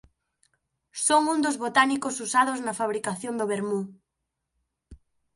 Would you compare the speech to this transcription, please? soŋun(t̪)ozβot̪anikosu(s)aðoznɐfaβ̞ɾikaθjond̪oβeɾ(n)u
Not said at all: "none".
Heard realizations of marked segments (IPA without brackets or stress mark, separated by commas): d̪, s, m